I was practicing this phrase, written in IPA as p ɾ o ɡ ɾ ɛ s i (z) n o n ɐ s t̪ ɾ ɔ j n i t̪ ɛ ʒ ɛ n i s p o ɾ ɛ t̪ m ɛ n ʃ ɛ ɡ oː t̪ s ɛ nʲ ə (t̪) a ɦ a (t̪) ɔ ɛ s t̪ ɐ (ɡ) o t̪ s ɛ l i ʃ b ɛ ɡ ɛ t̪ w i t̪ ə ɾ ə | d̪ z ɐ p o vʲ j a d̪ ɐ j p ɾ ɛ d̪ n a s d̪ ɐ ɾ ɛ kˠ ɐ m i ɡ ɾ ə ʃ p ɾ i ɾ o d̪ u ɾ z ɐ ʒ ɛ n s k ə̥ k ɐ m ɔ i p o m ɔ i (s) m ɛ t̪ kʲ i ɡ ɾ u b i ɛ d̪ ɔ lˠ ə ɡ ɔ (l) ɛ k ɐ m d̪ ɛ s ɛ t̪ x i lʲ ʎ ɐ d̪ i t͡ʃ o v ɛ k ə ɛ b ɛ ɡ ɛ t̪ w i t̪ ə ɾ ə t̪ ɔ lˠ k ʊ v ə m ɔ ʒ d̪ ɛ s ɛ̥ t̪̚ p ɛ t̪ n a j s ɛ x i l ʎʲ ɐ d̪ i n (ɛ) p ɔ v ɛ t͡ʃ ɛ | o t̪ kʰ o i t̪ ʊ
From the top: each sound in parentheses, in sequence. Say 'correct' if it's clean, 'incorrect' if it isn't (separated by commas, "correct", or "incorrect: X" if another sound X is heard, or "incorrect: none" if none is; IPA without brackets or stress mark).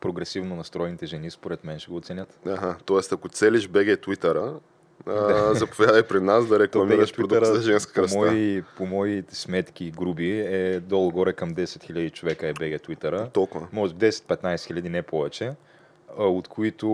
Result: incorrect: v, correct, correct, incorrect: k, correct, incorrect: ɾ, correct